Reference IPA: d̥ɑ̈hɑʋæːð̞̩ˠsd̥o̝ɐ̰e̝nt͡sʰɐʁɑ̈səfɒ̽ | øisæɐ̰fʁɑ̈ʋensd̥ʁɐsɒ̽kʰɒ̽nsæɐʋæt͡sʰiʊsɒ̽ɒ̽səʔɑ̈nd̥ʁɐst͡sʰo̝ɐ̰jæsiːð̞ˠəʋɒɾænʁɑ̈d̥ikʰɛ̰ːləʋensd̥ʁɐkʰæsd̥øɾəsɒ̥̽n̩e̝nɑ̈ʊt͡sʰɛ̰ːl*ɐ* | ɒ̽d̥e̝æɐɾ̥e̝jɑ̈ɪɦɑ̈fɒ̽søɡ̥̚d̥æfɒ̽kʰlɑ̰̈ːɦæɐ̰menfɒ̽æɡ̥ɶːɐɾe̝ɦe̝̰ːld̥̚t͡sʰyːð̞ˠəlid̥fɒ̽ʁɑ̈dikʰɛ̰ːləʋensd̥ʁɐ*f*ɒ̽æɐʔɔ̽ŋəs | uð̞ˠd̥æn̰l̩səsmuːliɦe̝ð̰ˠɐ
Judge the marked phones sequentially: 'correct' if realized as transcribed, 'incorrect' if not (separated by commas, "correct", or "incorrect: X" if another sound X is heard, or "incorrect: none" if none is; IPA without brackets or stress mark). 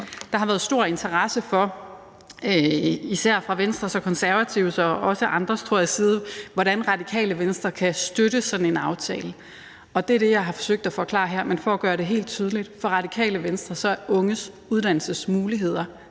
incorrect: ə, incorrect: s